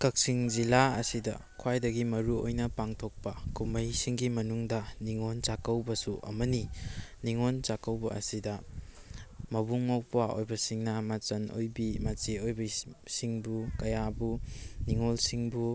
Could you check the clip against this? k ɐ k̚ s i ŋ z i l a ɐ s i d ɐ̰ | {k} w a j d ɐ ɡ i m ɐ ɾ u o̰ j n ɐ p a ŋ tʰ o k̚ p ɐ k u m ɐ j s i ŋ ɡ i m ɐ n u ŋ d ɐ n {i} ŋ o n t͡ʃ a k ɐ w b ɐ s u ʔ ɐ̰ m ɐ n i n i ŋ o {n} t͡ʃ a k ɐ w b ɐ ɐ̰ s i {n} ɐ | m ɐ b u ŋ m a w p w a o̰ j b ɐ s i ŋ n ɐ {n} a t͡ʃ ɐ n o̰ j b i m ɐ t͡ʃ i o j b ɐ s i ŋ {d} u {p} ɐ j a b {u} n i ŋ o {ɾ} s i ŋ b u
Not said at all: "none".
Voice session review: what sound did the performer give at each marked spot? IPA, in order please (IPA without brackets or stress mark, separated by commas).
kʰ, i, n, d, m, b, k, u, l